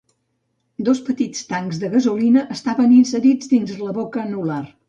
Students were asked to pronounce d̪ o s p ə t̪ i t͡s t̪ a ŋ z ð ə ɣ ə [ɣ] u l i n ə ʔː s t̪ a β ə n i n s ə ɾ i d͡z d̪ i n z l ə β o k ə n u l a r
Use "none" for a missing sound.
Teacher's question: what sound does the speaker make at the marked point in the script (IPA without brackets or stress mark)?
z